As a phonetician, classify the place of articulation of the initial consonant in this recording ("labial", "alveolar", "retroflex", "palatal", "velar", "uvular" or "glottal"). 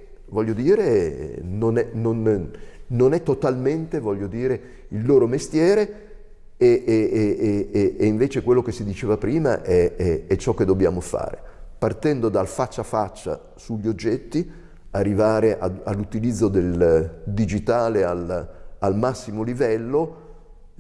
labial